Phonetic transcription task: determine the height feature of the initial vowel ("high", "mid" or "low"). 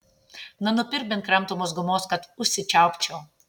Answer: low